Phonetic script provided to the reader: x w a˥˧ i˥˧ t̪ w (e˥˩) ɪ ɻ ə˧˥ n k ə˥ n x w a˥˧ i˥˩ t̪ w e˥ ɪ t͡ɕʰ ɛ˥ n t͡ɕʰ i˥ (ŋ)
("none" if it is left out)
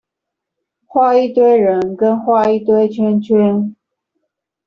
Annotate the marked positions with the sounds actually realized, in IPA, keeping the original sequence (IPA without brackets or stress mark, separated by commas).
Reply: e˥, n